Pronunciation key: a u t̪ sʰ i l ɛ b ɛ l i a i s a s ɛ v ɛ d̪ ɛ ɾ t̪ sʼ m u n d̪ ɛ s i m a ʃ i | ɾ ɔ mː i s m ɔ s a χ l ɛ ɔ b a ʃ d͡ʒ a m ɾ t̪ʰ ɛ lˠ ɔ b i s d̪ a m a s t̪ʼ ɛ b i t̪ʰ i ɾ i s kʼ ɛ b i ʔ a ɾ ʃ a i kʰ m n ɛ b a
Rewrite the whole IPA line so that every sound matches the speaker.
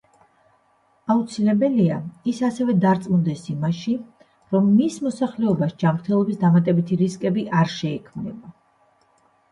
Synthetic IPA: a u t̪ sʰ i l ɛ b ɛ l i a i s a s ɛ v ɛ d̪ a ɾ t̪ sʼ m u n d̪ ɛ s i m a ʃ i | ɾ ɔ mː i s m ɔ s a χ l ɛ ɔ b a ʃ d͡ʒ a m ɾ t̪ʰ ɛ lˠ ɔ b i s d̪ a m a t̪ʼ ɛ b i t̪ʰ i ɾ i s kʼ ɛ b i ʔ a ɾ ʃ ɛ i kʰ m n ɛ b a